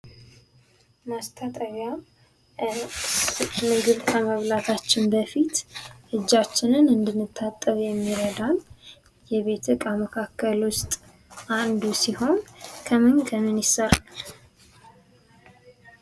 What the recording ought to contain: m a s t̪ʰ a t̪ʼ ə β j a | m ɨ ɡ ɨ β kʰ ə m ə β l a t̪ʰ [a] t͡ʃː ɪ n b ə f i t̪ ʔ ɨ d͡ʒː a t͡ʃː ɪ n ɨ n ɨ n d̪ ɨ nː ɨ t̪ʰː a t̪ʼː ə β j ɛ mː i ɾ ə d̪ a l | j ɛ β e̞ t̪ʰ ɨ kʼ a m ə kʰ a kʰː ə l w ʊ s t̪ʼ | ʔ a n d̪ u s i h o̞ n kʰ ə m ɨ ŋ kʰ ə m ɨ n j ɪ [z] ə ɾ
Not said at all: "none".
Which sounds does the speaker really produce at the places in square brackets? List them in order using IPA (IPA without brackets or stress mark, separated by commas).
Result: a, s